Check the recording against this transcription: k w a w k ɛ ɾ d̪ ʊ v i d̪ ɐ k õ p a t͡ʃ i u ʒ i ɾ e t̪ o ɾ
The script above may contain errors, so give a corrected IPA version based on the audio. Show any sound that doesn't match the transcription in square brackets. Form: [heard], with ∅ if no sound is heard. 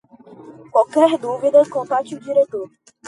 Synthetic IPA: k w a w k ɛ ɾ d̪ [u] v i d̪ ɐ k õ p a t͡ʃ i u [d͡ʒ] i ɾ e t̪ o ɾ